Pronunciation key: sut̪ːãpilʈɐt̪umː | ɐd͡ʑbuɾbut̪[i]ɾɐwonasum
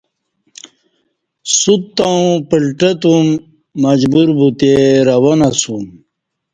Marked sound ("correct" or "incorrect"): incorrect